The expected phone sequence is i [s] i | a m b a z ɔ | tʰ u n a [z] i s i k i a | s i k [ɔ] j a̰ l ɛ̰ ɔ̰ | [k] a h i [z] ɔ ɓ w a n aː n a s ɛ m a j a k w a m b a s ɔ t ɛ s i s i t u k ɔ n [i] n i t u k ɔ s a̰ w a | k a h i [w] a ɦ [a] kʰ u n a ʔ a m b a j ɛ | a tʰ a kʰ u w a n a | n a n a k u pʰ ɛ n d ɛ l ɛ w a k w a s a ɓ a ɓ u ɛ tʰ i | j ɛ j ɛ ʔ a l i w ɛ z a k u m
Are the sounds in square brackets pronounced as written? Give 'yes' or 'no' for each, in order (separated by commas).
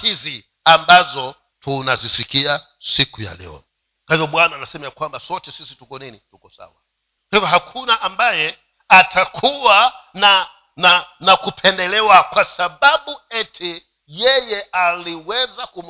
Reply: no, yes, no, yes, no, yes, no, yes